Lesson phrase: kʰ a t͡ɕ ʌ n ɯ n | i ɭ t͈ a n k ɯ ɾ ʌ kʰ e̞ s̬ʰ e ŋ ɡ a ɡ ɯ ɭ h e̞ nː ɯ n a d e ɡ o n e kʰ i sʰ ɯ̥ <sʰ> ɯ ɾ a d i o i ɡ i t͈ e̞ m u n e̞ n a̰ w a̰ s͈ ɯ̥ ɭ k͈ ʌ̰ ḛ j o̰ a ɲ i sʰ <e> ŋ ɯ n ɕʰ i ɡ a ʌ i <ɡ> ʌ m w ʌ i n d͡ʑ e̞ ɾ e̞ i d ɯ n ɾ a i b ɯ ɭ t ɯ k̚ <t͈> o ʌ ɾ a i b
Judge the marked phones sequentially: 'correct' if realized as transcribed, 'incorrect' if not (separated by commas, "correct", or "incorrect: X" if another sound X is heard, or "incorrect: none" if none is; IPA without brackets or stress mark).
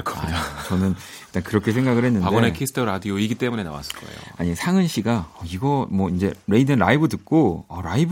incorrect: tʰ, incorrect: a, correct, incorrect: k͈